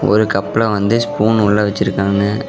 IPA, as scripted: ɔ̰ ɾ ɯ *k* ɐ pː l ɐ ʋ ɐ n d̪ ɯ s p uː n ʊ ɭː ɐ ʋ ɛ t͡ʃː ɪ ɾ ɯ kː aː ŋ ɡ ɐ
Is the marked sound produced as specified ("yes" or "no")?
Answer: yes